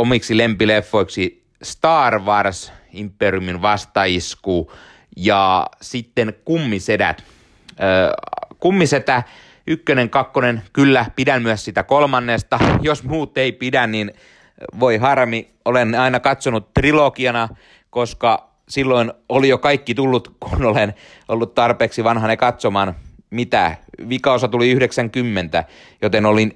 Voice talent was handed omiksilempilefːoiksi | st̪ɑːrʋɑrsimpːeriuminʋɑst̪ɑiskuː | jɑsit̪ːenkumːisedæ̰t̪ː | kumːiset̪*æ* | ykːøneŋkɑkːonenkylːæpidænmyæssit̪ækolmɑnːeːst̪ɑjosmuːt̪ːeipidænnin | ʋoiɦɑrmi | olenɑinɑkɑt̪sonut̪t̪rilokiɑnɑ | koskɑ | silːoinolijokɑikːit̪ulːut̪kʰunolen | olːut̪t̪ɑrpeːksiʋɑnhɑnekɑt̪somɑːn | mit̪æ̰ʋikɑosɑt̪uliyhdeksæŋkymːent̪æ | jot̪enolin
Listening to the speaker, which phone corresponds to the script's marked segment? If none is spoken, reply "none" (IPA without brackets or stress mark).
æ